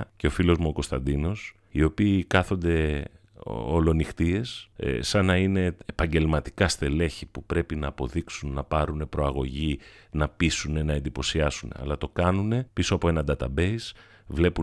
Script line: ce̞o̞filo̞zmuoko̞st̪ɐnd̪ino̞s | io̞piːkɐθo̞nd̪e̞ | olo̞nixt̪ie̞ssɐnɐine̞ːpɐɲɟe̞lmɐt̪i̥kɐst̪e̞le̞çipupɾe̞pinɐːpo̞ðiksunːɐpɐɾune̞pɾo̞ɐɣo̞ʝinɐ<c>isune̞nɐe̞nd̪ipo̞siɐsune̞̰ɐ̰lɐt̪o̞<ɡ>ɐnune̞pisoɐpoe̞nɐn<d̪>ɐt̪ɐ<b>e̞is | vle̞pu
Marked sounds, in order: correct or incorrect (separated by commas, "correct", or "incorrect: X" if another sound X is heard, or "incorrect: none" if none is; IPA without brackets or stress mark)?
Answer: incorrect: p, incorrect: k, correct, correct